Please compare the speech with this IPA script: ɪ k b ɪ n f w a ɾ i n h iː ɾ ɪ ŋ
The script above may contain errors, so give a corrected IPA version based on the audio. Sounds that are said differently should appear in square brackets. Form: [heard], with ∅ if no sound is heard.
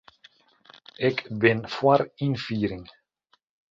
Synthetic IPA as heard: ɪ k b ɪ n f w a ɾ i n [f] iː ɾ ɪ ŋ

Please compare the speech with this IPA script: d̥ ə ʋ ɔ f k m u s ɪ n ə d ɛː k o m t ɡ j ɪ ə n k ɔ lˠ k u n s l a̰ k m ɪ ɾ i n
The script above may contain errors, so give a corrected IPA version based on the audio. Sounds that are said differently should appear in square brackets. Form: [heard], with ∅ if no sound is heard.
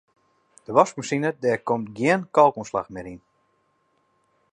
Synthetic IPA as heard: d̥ ə ʋ ɔ [s] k m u s [i] n ə d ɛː k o m t ɡ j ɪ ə n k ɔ lˠ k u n s l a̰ [x] m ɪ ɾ i n

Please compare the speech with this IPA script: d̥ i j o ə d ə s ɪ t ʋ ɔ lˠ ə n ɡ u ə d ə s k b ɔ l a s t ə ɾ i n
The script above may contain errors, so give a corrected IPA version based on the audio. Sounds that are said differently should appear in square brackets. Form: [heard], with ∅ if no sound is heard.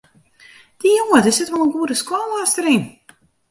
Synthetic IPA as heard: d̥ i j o ə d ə s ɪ t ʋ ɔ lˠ ə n ɡ u ə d ə s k [w] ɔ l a s t ə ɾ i n

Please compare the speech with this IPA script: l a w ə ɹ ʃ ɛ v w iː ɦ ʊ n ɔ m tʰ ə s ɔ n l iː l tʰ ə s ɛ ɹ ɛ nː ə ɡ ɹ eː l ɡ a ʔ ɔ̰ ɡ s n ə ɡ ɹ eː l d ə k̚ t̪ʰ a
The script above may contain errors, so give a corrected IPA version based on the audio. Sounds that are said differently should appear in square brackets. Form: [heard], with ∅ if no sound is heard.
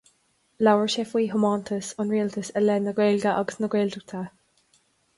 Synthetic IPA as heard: l a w ə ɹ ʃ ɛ [f] w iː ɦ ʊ [m] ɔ [n] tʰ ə s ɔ n [ɹ] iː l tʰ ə s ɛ [l] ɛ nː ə ɡ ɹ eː l ɡ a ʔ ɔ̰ ɡ s n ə ɡ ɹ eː l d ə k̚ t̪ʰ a

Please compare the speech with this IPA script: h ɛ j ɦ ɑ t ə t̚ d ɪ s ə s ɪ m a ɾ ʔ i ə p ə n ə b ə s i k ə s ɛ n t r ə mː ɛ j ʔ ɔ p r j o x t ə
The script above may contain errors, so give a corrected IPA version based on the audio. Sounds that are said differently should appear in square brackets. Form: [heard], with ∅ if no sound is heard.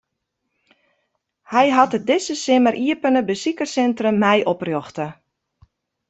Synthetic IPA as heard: h ɛ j ɦ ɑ t ə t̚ d ɪ s ə s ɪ m [ə] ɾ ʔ i ə p ə n ə b ə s i k ə s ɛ n t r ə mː ɛ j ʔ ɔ p r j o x t ə

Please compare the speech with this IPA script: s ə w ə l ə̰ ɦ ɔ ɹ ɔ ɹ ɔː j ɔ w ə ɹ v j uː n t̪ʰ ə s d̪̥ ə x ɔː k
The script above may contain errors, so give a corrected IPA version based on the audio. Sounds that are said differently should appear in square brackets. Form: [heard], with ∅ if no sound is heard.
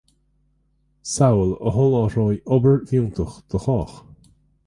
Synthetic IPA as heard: s [a] w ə l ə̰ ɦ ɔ [l] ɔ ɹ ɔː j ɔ [b] ə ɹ v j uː n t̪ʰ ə [x] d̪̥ ə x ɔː [x]

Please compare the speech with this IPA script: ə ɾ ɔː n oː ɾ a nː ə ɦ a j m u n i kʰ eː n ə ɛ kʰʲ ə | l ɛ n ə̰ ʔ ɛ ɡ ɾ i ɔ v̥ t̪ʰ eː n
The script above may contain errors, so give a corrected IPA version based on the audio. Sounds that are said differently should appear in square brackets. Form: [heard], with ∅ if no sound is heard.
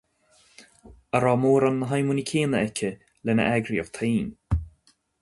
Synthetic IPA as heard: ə ɾ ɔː [m] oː ɾ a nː ə ɦ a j m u n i kʰ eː n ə ɛ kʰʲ ə | l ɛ n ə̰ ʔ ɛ ɡ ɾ i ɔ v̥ t̪ʰ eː n

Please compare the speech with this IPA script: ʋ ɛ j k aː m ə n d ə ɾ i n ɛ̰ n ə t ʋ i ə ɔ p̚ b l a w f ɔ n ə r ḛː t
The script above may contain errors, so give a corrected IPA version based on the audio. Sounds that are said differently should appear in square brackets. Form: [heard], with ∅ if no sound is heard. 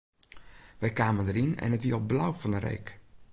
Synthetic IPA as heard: ʋ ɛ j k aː m ə n d ə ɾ i n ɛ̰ n ə t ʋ i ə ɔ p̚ b l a w f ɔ n ə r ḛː [k]

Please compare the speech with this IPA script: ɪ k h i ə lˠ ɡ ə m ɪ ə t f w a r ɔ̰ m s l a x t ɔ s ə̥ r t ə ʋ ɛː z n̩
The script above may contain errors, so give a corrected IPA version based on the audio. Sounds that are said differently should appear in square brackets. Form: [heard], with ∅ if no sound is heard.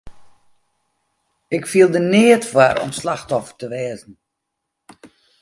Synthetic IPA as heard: ɪ k [f] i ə lˠ [d] ə [n] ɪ ə t f w a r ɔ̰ m s l a x t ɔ [f] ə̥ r t ə ʋ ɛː z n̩

